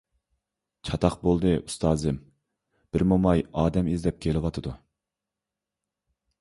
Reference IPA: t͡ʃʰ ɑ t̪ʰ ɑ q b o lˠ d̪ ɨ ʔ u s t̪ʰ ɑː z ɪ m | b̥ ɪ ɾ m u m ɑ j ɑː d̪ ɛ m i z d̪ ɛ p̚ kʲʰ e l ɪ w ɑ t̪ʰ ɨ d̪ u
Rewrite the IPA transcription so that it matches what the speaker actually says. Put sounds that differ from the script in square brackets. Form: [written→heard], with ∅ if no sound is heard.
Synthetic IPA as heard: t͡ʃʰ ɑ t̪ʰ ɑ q b o lˠ d̪ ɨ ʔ u s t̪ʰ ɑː z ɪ m | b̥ ɪ ɾ m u m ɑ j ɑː d̪ ɛ m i z d̪ ɛ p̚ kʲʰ e l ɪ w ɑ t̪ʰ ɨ d̪ u